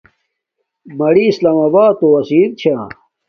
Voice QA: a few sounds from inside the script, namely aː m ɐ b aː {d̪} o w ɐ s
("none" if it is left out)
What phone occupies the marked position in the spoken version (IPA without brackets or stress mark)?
t̪